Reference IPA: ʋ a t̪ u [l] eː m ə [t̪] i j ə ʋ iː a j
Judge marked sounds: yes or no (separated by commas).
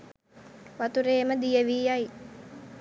no, no